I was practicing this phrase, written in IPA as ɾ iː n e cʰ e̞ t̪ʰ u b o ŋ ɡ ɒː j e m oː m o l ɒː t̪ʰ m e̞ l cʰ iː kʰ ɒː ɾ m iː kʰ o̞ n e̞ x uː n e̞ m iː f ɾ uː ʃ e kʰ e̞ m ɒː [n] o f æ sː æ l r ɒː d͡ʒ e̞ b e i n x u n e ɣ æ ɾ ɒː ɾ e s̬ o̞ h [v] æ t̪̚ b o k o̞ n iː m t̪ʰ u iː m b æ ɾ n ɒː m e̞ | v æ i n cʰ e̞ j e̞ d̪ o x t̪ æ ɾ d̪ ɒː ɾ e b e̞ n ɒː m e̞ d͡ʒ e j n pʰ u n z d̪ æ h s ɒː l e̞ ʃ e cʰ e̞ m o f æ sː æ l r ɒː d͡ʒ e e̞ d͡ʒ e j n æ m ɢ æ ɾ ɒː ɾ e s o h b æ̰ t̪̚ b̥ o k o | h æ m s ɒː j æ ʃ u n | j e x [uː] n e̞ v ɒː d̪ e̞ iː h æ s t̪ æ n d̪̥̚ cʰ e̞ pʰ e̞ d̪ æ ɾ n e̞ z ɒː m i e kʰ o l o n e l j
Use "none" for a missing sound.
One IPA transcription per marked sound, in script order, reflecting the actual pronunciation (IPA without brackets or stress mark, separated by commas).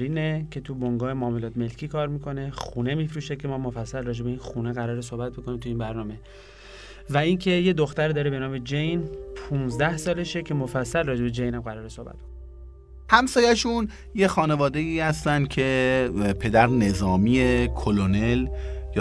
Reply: m, b, ɒː